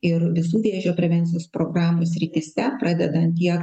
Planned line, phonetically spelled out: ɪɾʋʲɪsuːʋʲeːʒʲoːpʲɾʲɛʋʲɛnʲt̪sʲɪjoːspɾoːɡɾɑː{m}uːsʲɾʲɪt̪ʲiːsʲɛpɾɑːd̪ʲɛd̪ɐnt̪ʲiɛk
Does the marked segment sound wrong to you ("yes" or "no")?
no